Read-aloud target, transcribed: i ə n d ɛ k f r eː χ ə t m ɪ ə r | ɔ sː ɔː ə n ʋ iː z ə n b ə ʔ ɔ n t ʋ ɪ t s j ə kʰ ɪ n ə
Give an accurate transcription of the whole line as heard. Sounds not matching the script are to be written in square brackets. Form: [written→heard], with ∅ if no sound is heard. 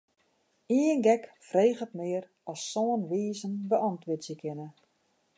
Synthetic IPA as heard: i ə n [d→ɡ] ɛ k f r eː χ ə t m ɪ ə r | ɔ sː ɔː ə n ʋ iː z ə n b ə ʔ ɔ n t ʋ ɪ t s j ə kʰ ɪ n ə